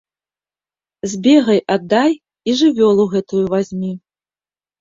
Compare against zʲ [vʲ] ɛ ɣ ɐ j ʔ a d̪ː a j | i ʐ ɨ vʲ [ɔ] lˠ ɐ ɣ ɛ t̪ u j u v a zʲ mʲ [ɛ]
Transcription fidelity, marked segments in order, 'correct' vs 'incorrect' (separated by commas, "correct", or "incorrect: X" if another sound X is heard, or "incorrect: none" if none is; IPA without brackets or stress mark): incorrect: bʲ, correct, incorrect: i